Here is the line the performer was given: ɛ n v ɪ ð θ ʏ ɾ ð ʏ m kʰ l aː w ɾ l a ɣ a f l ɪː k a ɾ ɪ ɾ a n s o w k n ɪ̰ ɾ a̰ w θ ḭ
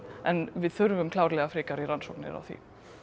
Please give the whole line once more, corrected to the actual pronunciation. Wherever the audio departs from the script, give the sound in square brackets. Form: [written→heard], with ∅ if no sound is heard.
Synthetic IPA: ɛ n v ɪ ð θ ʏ ɾ [ð→v] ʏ m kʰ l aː w ɾ l [a→ɛ] ɣ a f [l→ɾ] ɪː k a ɾ [ɪ→i] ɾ a n s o w k n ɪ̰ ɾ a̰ w θ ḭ